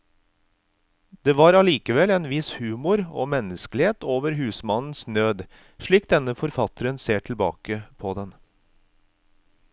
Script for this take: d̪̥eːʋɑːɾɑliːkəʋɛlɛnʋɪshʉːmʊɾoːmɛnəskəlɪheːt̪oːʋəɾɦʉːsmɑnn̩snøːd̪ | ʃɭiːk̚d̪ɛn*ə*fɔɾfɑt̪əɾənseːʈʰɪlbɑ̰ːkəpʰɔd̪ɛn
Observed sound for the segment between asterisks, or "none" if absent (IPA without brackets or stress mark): ə